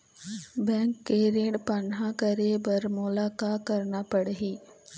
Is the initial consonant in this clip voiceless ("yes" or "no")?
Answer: no